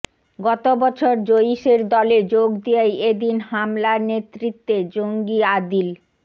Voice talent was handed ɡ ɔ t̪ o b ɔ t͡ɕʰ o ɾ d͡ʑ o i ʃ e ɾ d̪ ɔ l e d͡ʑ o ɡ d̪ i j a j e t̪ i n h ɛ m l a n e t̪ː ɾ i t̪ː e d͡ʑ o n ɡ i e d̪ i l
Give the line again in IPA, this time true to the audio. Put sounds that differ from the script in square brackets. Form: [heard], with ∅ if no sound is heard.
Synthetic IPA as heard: ɡ ɔ t̪ o b ɔ t͡ɕʰ o ɾ d͡ʑ o i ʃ e ɾ d̪ ɔ l e d͡ʑ o ɡ d̪ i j a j e [d̪] i n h [a] m l a n e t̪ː ɾ i t̪ː e d͡ʑ o [ŋ] ɡ i [a] d̪ i l